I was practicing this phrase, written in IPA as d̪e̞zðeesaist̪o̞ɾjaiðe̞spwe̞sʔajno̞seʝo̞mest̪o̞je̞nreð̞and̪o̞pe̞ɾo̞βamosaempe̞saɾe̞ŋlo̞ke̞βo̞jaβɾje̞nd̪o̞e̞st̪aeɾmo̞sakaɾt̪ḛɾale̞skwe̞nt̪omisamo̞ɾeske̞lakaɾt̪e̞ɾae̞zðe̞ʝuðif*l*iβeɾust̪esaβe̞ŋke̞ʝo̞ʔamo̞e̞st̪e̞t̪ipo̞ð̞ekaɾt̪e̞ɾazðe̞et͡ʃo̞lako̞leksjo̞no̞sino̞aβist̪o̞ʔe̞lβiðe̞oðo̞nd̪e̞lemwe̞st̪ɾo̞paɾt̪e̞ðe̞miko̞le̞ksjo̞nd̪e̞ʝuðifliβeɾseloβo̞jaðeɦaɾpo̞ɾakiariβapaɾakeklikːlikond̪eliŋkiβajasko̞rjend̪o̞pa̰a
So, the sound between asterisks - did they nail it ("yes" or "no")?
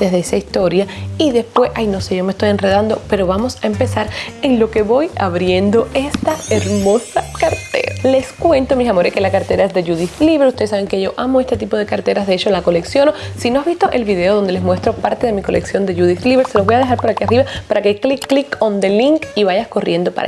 yes